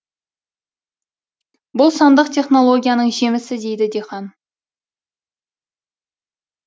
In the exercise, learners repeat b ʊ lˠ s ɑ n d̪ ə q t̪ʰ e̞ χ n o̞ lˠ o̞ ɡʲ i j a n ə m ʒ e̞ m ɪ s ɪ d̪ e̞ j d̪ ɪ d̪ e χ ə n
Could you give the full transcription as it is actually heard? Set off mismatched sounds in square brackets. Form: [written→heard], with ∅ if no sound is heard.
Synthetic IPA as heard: b ʊ lˠ s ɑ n d̪ ə q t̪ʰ e̞ χ n o̞ lˠ o̞ ɡʲ i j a n ə [m→ɴ] ʒ e̞ m ɪ s ɪ d̪ e̞ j d̪ ɪ d̪ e χ [ə→ɑ] n